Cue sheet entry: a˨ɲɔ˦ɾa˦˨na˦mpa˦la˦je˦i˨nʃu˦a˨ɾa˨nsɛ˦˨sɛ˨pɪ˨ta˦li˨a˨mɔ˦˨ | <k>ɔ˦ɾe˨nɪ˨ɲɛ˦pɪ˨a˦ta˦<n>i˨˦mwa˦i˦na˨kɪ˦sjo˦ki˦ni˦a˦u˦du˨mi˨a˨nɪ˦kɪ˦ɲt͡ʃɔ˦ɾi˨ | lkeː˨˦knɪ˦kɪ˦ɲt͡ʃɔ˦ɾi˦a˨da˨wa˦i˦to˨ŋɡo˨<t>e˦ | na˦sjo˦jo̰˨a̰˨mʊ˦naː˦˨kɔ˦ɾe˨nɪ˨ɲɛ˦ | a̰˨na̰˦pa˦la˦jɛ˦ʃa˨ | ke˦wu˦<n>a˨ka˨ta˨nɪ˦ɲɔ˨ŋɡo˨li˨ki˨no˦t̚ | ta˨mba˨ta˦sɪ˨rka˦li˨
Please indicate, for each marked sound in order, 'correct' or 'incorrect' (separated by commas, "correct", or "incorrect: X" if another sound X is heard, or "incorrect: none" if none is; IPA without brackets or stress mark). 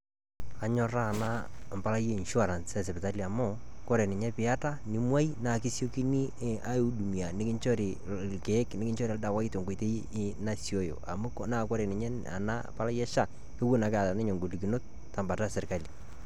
correct, correct, correct, correct